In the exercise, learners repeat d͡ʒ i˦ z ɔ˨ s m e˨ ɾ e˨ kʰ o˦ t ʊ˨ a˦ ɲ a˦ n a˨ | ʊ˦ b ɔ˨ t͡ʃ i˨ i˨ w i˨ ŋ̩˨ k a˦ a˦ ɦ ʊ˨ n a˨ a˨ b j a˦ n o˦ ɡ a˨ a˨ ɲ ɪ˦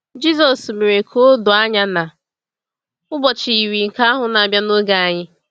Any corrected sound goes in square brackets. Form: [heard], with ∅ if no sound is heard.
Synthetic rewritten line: d͡ʒ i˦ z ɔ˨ s m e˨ ɾ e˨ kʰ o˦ [d] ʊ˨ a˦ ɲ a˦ n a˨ | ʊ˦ b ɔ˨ t͡ʃ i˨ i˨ w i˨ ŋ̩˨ k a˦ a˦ ɦ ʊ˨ n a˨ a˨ b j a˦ n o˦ ɡ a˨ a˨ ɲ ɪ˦

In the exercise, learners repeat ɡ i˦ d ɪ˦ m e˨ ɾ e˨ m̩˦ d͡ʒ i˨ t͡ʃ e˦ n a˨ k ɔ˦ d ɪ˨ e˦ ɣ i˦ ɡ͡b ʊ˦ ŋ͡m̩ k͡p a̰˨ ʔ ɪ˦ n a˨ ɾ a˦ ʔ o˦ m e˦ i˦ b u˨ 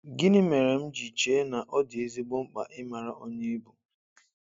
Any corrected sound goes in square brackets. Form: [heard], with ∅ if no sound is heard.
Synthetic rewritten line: ɡ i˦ [n] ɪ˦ m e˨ ɾ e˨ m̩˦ d͡ʒ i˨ t͡ʃ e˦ n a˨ [ʔ] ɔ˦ d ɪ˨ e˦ [z] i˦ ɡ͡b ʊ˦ ŋ͡m̩ k͡p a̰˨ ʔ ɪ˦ [m] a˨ ɾ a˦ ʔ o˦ [ɲ] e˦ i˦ b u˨

